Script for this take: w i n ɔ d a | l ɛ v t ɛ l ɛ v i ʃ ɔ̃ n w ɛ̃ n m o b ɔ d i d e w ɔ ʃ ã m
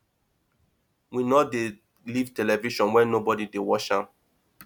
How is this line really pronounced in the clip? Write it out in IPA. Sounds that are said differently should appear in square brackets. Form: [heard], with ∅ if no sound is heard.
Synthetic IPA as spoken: w i n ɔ d [e] | l [i] v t ɛ l ɛ v i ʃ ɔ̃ n w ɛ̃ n [n] o b ɔ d i d e w ɔ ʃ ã m

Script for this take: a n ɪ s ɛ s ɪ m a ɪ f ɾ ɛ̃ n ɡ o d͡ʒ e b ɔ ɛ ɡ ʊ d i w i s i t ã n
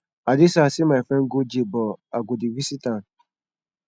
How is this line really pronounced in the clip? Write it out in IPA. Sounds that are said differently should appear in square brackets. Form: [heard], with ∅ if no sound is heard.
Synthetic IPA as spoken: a [d] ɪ s [a] s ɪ m a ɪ f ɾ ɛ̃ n ɡ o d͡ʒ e b ɔ [a] ɡ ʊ d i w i s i t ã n

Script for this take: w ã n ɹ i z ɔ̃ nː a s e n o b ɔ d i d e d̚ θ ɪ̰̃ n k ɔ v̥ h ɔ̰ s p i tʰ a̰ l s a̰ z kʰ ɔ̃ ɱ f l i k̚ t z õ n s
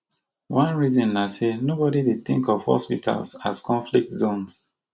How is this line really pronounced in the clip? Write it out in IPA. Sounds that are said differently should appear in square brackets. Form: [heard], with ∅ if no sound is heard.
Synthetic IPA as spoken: w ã n ɹ i z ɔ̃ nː a s e n o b ɔ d i d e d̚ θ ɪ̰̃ [ŋ] k ɔ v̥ h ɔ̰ s p i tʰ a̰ l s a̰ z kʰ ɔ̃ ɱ f l i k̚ t z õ n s

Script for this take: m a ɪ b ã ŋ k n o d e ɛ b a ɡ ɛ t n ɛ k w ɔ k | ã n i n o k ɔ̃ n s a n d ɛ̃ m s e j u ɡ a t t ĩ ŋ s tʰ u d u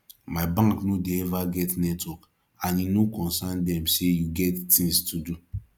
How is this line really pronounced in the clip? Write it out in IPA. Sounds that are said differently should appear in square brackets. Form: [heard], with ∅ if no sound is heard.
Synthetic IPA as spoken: m a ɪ b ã ŋ k n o d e ɛ [v] a ɡ ɛ t n ɛ [t] w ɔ k | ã n i n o k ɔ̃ n s a n d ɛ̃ m s e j u ɡ [ɛ] t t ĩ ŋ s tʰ u d u

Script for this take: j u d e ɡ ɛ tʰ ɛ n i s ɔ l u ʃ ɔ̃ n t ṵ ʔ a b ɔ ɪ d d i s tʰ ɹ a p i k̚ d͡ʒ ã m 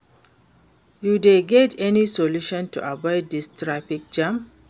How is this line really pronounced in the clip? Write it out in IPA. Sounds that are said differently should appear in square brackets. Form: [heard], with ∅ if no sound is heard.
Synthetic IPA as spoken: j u d e ɡ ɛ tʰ ɛ n i s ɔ l u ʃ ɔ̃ n t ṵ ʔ a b ɔ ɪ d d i s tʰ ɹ a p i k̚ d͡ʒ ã m

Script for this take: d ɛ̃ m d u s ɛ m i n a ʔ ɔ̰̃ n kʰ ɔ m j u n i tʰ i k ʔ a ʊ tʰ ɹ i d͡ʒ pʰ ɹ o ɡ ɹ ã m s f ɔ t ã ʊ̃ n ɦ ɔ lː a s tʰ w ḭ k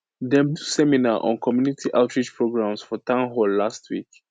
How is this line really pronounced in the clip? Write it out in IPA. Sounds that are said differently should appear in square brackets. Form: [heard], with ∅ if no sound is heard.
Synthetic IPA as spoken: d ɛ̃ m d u s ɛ m i n a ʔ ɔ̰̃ n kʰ ɔ m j u n i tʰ i [∅] ʔ a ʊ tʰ ɹ i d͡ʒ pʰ ɹ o ɡ ɹ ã m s f ɔ t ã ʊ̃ n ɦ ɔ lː a s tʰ w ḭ k

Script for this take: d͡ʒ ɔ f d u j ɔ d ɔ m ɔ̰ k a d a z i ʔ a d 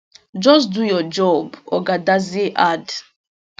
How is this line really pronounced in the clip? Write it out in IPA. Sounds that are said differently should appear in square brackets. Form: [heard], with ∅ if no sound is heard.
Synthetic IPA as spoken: d͡ʒ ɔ [s] d u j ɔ [d͡ʒ] ɔ [b] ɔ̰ [ɡ] a d a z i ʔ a d

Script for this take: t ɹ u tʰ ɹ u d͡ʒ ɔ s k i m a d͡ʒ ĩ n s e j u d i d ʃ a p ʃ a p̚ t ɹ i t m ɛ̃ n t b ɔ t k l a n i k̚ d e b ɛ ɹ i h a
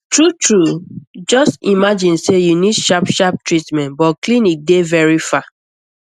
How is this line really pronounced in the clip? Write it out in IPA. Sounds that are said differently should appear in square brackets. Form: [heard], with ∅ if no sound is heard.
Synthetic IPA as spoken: t ɹ u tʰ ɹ u d͡ʒ ɔ s [t] i m a d͡ʒ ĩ n s e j u [n] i d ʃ a p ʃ a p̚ t ɹ i t m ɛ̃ n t b ɔ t k l [i] n i k̚ d e [v] ɛ ɹ i [f] a

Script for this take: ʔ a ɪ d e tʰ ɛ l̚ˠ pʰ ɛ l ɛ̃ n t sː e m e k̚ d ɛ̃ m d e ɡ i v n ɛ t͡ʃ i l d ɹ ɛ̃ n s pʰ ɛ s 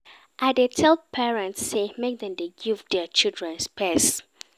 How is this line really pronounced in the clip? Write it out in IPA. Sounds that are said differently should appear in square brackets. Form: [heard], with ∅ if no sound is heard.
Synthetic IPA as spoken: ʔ a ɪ d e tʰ ɛ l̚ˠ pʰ ɛ [ɹ] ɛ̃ n t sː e m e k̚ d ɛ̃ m d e ɡ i v [d] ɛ t͡ʃ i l d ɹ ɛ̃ n s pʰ ɛ s

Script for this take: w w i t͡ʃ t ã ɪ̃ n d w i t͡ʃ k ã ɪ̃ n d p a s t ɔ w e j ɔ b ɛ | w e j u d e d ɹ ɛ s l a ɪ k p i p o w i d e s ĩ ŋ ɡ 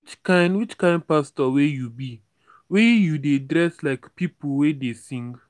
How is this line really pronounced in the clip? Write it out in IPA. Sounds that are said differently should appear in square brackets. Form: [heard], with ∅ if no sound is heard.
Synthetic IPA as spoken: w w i t͡ʃ [k] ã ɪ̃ n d w i t͡ʃ k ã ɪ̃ n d p a s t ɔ w e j [u] b [i] | w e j u d e d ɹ ɛ s l a ɪ k p i p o w [e] d e s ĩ ŋ ɡ

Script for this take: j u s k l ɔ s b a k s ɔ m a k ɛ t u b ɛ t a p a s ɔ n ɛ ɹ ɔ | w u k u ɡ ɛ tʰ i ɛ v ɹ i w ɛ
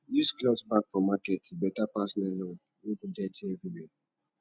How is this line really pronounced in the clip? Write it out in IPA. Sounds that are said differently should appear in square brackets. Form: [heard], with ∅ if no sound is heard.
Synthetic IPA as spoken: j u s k l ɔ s b a k [f] ɔ m a k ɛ t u b ɛ t a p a s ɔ n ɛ [l] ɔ | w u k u [d] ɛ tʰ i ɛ v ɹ i w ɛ

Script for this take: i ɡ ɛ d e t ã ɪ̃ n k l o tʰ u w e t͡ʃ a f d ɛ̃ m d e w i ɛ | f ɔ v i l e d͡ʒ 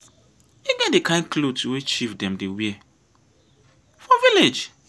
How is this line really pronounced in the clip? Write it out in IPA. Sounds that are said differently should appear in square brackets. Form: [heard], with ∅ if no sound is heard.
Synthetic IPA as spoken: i ɡ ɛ d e [k] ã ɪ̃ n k l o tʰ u w e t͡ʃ [i] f d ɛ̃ m d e w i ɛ | f ɔ v i l e d͡ʒ

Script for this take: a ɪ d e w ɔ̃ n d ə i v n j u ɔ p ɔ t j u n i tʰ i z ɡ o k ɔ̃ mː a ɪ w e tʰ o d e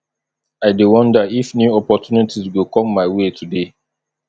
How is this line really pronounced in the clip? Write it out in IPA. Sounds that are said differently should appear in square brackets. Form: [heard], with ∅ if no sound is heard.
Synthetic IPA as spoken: a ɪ d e w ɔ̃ n d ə i [f] n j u ɔ p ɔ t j u n i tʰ i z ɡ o k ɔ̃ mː a ɪ w e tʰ [u] d e

